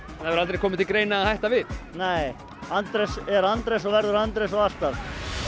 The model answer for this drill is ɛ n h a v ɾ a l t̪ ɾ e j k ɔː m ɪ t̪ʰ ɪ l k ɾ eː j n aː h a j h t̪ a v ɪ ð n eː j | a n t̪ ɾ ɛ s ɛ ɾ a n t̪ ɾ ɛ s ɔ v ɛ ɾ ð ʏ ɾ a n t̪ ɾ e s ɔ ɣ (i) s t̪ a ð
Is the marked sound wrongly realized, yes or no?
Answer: yes